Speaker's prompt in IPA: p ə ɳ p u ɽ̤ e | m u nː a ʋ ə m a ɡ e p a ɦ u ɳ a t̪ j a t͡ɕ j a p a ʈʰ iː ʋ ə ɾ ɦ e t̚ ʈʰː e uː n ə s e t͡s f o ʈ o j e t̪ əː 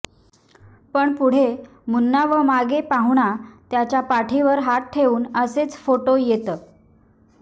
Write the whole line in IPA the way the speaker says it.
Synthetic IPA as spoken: p ə ɳ p u ɽ̤ e | m u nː a ʋ ə m a ɡ e p a ɦ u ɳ a t̪ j a t͡ɕ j a p a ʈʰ i ʋ ə ɾ ɦ a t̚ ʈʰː e uː n ə s e t͡s f o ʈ o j e t̪ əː